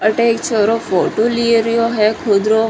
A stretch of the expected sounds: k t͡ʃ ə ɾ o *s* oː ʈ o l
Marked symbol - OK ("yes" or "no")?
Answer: no